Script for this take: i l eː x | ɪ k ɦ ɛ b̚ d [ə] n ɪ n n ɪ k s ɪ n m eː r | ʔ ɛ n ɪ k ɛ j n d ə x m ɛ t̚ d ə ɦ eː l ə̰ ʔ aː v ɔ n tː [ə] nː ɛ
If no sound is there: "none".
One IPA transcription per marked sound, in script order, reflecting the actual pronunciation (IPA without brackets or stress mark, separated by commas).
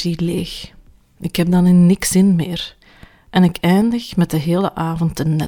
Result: ɑ, ə